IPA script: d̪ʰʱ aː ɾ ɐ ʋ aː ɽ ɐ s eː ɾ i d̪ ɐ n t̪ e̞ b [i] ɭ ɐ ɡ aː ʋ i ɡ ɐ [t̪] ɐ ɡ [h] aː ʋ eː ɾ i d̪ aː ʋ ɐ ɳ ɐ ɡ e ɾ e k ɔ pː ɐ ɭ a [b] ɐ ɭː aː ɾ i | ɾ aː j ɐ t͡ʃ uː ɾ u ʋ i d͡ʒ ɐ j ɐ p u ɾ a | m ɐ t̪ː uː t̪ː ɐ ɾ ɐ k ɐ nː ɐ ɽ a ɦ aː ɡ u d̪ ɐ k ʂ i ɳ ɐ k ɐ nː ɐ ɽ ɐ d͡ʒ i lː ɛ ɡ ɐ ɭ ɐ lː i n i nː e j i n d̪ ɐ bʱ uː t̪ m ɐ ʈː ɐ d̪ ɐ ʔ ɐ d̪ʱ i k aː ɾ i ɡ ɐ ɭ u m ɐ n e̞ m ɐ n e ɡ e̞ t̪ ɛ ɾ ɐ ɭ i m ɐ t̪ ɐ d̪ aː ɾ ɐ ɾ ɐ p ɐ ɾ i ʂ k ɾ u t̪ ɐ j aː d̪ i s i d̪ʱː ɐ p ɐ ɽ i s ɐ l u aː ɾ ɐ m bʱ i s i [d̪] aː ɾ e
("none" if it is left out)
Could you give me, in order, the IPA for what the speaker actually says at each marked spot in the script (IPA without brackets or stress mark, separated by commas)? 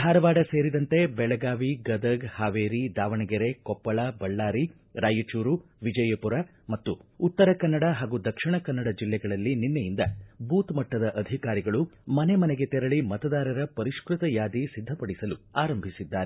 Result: ɛ, d̪, h, b, d̪ː